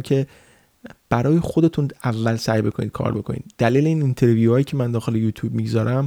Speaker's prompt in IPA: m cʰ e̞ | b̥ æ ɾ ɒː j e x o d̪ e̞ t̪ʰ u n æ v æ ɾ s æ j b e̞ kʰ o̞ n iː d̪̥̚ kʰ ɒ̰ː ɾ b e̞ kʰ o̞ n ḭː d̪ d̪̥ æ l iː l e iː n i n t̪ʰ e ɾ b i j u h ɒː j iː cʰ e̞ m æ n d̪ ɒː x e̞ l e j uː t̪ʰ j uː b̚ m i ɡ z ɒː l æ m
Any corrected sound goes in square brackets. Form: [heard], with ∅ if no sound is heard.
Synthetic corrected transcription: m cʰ e̞ | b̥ æ ɾ ɒː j e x o d̪ e̞ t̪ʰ u n æ [vː] æ [l] s æ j b e̞ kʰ o̞ n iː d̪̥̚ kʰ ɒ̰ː ɾ b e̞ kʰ o̞ n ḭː d̪ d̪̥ æ l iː l e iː n i n t̪ʰ e ɾ [v] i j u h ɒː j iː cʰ e̞ m æ n d̪ ɒː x e̞ l e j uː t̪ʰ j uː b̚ m i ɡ z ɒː [ɾ] æ m